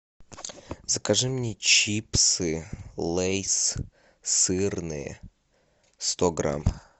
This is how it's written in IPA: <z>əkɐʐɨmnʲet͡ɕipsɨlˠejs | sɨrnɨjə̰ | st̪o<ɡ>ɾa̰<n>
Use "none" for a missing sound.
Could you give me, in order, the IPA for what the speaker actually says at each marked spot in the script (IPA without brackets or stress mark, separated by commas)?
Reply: z, ɡ, m